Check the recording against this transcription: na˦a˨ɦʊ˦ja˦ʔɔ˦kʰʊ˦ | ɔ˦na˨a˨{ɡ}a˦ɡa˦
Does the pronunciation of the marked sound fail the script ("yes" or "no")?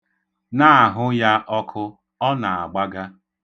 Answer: yes